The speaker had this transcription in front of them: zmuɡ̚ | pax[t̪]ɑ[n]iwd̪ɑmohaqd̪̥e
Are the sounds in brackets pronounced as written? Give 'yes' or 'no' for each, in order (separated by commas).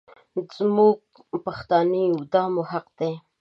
yes, yes